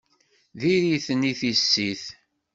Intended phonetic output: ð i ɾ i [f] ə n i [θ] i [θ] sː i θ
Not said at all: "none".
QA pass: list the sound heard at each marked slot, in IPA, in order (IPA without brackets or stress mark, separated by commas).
θ, θ, none